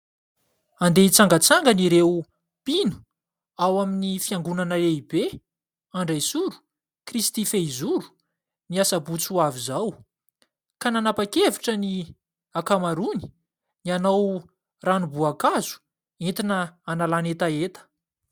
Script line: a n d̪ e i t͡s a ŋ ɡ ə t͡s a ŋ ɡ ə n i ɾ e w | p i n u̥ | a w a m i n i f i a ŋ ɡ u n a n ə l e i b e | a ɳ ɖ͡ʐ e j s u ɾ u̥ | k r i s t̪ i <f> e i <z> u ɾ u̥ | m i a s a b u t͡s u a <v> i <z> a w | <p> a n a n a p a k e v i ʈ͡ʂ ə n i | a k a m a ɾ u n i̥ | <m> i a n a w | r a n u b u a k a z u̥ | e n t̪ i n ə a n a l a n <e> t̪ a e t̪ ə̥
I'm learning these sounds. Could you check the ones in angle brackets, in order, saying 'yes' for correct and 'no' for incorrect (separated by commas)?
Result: yes, yes, yes, yes, no, no, yes